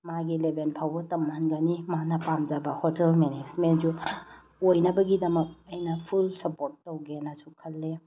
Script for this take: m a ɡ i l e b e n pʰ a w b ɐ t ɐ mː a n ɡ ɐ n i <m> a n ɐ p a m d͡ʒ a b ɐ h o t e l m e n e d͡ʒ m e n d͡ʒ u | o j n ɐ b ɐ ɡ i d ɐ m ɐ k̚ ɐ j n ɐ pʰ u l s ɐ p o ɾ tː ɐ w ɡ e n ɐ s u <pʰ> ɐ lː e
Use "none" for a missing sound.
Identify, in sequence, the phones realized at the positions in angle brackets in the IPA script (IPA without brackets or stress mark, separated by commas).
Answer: m, kʰ